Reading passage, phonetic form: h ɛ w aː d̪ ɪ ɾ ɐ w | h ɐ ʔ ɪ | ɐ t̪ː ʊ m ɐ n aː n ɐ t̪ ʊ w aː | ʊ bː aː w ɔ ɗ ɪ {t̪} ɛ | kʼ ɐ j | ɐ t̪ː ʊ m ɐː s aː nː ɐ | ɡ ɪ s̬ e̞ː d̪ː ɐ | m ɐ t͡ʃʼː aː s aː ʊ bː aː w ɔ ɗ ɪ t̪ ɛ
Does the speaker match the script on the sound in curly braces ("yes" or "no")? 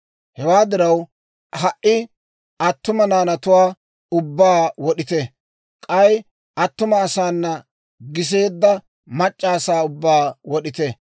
yes